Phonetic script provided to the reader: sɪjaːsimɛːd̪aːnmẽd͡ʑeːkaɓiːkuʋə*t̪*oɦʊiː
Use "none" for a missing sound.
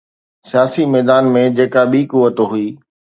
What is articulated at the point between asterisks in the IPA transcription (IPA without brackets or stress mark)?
t̪